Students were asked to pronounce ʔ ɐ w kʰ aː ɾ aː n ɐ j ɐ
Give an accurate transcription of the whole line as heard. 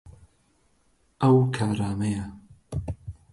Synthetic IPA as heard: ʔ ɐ w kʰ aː ɾ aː m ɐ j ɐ